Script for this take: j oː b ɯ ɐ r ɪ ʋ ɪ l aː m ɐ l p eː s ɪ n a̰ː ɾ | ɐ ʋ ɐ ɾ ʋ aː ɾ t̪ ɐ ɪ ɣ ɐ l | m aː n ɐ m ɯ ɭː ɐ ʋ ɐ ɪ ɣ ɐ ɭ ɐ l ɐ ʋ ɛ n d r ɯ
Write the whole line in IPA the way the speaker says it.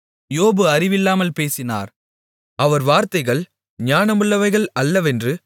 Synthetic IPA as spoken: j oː b ɯ ɐ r ɪ ʋ ɪ lː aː m ɐ l p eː s ɪ n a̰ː ɾ | ɐ ʋ ɐ ɾ ʋ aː ɾ t̪ ɐ ɪ ɣ ɐ ɭ | ɲ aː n ɐ m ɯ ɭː ɐ ʋ ɐ ɪ ɣ ɐ ɭ ɐ lː ɐ ʋ ɛ n d r ɯ